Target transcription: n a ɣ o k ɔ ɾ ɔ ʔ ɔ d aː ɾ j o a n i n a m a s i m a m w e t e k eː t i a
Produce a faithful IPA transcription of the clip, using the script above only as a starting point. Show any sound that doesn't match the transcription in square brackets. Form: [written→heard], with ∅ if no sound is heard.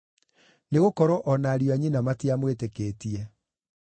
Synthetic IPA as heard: n [a→e] ɣ o k ɔ ɾ ɔ ʔ ɔ [d→n] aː ɾ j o a [n→ɲ] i n a m a [s→t] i [m→∅] a m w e t e k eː t i [a→ɛ]